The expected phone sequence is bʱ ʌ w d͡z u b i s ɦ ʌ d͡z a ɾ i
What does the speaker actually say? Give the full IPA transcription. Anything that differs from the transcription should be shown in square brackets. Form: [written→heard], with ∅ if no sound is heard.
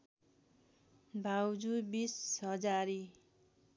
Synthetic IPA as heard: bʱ [ʌ→a] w d͡z u b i s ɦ ʌ d͡z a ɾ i